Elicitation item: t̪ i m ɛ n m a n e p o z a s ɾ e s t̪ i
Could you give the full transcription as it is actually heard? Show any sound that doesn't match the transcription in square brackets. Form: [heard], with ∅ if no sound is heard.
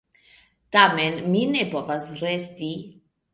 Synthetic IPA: t̪ [a] m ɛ n m [i] n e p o [v] a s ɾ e s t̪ i